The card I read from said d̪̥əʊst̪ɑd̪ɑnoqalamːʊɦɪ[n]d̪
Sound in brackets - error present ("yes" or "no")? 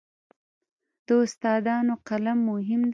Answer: yes